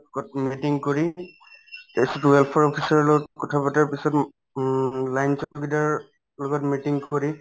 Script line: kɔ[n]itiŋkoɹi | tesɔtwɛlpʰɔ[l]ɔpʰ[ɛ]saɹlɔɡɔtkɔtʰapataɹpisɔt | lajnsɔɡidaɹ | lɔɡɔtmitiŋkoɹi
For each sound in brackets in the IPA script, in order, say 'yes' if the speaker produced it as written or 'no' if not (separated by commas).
no, no, no